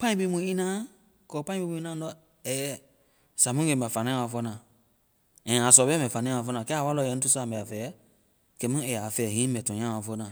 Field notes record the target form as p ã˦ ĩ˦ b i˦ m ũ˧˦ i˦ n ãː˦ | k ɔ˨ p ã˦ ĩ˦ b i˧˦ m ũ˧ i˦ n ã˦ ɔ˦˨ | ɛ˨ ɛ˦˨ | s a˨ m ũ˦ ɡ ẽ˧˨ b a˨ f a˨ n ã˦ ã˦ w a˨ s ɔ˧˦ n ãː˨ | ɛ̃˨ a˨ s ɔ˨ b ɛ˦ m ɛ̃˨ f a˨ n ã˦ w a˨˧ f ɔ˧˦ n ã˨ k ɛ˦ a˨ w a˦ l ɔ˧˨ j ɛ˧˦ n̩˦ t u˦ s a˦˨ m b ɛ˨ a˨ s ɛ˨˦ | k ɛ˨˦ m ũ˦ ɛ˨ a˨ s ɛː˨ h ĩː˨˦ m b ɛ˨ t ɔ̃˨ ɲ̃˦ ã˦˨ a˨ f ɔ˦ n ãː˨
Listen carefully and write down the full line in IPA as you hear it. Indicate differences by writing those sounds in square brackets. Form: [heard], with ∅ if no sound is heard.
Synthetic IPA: p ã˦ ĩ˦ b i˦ m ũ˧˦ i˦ n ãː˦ | k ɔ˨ p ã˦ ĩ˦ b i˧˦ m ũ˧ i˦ n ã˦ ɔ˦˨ | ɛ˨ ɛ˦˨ | s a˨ m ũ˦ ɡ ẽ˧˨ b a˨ f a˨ n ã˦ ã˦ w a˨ [f] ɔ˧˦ n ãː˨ | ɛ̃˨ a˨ s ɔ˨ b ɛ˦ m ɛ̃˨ f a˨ n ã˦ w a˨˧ f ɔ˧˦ n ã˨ k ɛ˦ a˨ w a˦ l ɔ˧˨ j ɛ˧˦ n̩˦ t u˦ s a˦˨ m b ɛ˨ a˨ [f] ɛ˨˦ | k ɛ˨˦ m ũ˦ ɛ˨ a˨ [f] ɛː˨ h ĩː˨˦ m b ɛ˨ t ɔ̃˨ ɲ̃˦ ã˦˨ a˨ f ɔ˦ n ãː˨